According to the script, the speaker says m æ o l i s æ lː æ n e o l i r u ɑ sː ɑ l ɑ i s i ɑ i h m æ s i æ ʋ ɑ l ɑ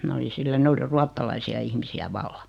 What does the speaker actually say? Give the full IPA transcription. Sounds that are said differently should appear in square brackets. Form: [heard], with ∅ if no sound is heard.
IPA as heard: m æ o l i s [i] lː æ n e o l i r u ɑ [tː] ɑ l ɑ i s i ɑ i h m [i] s i æ ʋ ɑ [lː] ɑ